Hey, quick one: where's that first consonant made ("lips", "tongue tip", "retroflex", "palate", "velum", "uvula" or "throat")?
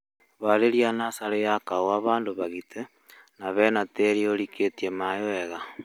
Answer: lips